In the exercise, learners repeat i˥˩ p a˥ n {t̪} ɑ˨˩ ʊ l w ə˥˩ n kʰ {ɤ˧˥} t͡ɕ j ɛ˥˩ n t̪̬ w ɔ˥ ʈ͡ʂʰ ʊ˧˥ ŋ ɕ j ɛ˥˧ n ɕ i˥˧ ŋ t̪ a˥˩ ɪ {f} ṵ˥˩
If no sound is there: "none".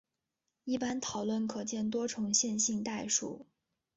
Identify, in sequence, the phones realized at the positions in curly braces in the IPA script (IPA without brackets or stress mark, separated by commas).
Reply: t̪ʰ, ɤ˨˩, ʂ